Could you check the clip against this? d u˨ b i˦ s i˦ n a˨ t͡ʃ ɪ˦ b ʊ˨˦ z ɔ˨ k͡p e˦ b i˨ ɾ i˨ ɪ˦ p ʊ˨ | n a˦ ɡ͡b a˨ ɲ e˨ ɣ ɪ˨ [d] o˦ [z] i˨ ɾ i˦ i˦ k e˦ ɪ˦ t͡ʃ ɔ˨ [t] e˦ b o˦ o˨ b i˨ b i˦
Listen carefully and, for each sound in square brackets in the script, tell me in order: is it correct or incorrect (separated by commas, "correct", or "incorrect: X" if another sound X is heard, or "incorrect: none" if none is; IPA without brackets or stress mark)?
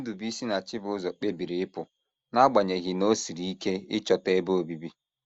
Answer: incorrect: n, incorrect: s, correct